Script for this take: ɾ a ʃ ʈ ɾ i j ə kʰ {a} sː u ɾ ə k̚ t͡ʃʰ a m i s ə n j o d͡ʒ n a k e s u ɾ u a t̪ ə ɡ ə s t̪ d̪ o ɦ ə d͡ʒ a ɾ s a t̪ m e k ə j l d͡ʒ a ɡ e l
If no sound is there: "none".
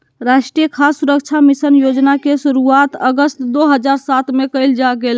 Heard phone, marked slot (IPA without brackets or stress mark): a